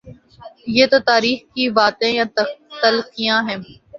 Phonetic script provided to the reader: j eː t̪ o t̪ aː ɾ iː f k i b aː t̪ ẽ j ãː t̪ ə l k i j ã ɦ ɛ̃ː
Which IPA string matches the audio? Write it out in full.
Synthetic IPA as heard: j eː t̪ o t̪ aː ɾ iː x k i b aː t̪ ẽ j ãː t̪ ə l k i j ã ɦ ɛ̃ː

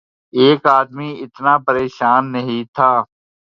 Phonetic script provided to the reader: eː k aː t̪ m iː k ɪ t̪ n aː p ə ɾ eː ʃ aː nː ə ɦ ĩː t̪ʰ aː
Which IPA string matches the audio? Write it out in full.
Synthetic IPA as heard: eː k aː d̪ m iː ɪ t̪ n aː p ə ɾ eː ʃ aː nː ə ɦ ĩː t̪ʰ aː

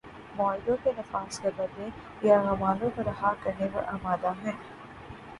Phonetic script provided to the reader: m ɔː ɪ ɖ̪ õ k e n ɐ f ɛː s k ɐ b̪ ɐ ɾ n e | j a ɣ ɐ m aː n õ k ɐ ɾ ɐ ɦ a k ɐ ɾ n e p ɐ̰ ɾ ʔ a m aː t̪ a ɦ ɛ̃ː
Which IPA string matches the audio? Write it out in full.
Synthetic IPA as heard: m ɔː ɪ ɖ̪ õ k e n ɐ f aː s k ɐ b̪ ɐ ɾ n e | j a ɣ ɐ m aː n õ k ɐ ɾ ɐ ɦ a k ɐ ɾ n e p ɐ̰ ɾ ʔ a m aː d̪ a ɦ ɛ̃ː

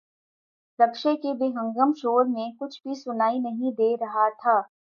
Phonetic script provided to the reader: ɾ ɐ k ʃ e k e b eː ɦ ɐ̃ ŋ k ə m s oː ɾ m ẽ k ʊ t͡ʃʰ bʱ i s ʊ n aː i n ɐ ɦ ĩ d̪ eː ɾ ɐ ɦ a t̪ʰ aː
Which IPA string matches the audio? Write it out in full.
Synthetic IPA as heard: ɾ ɐ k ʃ e k e b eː ɦ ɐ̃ ŋ ɡ ə m ʃ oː ɾ m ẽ k ʊ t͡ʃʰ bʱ i s ʊ n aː i n ɐ ɦ ĩ d̪ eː ɾ ɐ ɦ a t̪ʰ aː

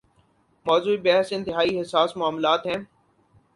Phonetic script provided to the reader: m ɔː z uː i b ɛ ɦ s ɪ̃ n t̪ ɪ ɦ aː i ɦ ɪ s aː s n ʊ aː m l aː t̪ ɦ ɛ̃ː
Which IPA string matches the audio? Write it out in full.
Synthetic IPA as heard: m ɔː z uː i b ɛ ɦ s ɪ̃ n t̪ ɪ ɦ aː i ɦ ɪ s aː s m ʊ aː m l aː t̪ ɦ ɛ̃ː

